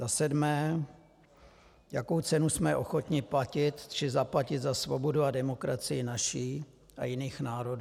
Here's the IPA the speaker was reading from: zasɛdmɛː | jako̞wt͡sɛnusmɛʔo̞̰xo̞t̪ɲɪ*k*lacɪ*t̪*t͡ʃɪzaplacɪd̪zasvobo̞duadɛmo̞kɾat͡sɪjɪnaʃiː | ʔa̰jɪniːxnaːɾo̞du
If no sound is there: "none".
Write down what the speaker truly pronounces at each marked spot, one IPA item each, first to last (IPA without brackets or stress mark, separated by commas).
p, t̪